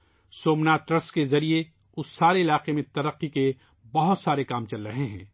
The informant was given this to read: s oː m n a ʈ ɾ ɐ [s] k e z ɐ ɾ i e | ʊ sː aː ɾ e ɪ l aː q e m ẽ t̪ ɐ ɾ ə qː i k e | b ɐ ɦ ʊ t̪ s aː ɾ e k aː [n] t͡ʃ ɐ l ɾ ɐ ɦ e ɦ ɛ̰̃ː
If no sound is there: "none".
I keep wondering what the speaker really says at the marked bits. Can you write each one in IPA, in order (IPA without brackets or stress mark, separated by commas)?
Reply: s, m